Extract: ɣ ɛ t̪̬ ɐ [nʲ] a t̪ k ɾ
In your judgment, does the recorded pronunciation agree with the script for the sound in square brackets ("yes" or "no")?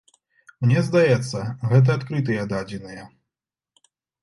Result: no